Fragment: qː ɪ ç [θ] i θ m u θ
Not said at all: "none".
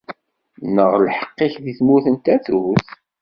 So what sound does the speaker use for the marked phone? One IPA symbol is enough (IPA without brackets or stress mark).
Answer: ð